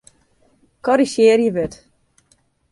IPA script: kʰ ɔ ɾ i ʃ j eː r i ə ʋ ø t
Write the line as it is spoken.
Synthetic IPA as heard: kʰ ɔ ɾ i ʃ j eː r j ə ʋ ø t